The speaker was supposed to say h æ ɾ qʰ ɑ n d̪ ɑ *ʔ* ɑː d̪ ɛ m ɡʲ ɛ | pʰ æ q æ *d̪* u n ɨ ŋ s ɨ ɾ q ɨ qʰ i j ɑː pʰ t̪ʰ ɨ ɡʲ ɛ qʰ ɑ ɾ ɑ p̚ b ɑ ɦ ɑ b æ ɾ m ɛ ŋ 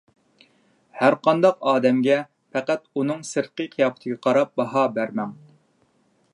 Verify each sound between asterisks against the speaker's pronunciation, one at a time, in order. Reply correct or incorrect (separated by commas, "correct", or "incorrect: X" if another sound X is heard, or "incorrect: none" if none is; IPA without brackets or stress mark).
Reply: incorrect: q, incorrect: t̪